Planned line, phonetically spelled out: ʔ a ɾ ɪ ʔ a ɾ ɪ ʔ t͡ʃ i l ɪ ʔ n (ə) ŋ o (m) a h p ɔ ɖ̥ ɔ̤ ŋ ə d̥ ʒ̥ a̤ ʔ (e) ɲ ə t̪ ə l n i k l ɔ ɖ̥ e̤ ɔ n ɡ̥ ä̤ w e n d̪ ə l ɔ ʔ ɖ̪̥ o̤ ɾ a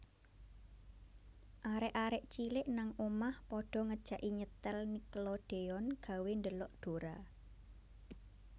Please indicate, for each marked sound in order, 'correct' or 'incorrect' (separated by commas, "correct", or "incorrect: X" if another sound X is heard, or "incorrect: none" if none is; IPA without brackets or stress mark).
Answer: incorrect: a, correct, incorrect: i